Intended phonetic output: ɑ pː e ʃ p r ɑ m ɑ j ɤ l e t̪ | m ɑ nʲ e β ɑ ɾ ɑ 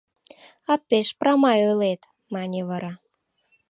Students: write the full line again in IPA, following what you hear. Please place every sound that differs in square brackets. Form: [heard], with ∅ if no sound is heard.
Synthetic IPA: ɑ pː e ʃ p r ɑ m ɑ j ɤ l e t̪ | m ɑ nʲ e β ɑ ɾ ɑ